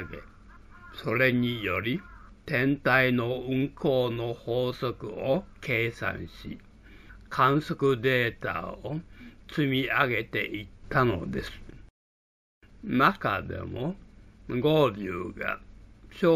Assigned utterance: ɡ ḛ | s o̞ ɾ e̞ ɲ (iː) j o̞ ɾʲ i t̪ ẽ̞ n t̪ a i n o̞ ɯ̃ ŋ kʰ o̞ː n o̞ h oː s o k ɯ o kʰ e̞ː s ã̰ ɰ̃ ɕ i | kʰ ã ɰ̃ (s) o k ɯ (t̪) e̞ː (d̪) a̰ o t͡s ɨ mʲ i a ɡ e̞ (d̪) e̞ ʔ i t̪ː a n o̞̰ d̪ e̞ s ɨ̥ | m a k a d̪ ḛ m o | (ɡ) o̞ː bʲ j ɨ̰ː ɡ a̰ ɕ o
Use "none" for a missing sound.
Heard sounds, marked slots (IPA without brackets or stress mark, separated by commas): i, s, d̪, t̪, t̪, ɡ